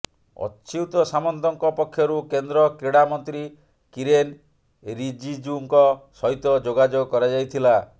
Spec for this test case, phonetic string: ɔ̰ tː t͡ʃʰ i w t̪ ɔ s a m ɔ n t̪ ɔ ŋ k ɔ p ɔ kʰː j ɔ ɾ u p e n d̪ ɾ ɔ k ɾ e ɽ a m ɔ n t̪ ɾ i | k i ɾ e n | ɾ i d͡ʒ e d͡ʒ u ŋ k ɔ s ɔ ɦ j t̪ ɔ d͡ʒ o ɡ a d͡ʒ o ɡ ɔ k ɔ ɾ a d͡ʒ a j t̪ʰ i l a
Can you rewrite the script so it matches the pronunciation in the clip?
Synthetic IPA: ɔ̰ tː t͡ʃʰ i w t̪ ɔ s a m ɔ n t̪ ɔ ŋ k ɔ p ɔ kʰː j ɔ ɾ u k e n d̪ ɾ ɔ k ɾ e ɽ a m ɔ n t̪ ɾ i | k i ɾ e n | ɾ i d͡ʒ i d͡ʒ u ŋ k ɔ s ɔ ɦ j t̪ ɔ d͡ʒ o ɡ a d͡ʒ o ɡ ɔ k ɔ ɾ a d͡ʒ a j t̪ʰ i l a

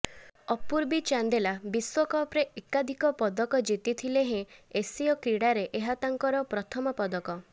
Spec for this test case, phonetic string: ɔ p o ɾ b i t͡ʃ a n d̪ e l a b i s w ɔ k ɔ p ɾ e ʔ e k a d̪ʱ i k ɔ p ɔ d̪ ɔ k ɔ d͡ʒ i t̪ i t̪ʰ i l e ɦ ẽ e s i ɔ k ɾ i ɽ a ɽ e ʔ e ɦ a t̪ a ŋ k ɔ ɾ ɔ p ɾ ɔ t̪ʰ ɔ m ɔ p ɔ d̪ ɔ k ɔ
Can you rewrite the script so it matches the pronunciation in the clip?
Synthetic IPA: ɔ p u ɾ b i t͡ʃ a n d̪ e l a b i s w ɔ k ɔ p ɾ e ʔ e k a d̪ʱ i k ɔ p ɔ d̪ ɔ k ɔ d͡ʒ i t̪ i t̪ʰ i l e ɦ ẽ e s i ɔ k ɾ i ɽ a ɾ e ʔ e ɦ a t̪ a ŋ k ɔ ɾ ɔ p ɾ ɔ t̪ʰ ɔ m ɔ p ɔ d̪ ɔ k ɔ

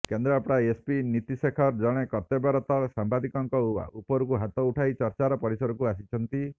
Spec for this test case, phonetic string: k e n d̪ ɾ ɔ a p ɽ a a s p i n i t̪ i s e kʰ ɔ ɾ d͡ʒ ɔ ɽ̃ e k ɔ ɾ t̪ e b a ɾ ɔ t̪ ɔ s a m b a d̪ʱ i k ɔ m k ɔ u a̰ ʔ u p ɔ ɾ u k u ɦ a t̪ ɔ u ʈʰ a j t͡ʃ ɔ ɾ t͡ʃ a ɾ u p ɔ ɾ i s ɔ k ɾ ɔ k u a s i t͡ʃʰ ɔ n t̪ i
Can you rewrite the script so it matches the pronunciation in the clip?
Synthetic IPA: k e n d̪ ɾ ɔ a p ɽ a e s p i n i t̪ i s e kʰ ɔ ɾ d͡ʒ ɔ ɽ̃ e k ɔ ɾ t̪ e b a ɾ ɔ t̪ ɔ s a m b a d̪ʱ i k ɔ ŋ k ɔ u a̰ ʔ u p ɔ ɾ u k u ɦ a t̪ ɔ u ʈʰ a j t͡ʃ ɔ ɾ t͡ʃ a ɾ ɔ p ɔ ɾ i s ɔ ɾ ɔ k u a s i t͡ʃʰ ɔ n t̪ i

